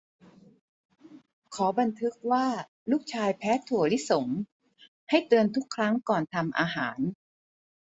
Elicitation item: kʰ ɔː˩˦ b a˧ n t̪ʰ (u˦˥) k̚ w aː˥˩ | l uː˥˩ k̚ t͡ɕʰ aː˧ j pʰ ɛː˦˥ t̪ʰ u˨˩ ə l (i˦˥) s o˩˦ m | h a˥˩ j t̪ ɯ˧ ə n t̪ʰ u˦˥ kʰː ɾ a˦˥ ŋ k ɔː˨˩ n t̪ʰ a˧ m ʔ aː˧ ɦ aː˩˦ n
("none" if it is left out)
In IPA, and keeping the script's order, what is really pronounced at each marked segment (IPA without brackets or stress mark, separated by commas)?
ɯ˦˥, i˦˥